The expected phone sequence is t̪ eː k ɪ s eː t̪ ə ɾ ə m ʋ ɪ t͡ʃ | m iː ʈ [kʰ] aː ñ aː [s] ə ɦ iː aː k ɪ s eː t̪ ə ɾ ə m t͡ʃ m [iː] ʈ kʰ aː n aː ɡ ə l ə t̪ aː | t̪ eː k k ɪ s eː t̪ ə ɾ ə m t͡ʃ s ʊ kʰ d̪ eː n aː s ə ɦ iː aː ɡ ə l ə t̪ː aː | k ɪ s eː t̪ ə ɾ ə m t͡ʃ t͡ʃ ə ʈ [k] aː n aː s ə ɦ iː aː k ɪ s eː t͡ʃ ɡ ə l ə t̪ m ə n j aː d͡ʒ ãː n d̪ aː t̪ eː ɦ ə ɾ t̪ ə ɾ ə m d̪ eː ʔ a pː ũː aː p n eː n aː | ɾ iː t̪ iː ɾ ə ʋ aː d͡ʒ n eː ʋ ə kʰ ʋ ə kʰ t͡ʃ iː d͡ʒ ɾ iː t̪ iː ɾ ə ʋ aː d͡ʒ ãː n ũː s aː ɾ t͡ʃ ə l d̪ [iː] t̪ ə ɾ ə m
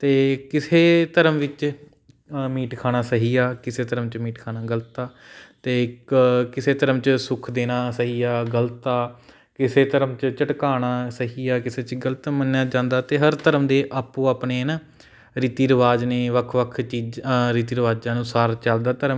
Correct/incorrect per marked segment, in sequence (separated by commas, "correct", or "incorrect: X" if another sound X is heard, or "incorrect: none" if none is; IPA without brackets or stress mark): correct, correct, correct, correct, incorrect: aː